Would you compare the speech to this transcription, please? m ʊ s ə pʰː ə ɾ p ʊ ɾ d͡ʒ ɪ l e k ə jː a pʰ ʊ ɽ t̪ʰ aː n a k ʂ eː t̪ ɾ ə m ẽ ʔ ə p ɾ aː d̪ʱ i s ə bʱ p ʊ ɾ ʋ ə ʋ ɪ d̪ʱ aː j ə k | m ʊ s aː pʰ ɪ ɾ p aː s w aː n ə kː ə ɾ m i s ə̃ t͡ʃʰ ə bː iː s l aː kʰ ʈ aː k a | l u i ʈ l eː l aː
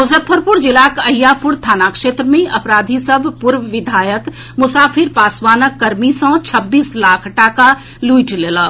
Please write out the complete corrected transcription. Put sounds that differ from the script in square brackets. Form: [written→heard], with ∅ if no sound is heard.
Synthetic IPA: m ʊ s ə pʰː ə ɾ p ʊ ɾ d͡ʒ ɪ l [e→a] k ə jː a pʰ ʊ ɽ t̪ʰ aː n a k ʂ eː t̪ ɾ ə m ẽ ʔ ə p ɾ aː d̪ʱ i s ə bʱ p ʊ ɾ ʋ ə ʋ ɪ d̪ʱ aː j ə k | m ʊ s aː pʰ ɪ ɾ p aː s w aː n ə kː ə ɾ m i s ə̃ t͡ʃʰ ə bː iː s l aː kʰ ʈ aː k a | l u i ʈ l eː l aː